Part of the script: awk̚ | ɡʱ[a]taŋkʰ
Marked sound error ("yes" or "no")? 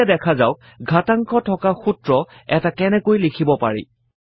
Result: no